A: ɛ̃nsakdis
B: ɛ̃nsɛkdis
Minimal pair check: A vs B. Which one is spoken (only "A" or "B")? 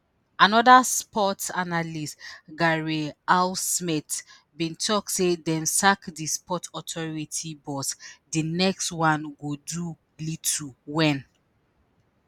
A